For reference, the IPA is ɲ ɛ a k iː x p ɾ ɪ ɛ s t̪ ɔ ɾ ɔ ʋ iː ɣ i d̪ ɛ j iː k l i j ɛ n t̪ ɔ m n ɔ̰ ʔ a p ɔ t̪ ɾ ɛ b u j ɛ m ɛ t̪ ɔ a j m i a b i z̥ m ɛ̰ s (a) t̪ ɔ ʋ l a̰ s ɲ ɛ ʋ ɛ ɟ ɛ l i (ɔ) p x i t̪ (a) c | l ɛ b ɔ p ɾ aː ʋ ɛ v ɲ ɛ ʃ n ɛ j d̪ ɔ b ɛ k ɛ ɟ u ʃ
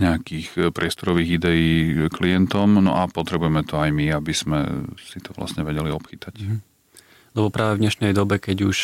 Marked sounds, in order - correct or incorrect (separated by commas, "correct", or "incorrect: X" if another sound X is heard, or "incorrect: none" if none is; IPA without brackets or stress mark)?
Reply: incorrect: i, correct, correct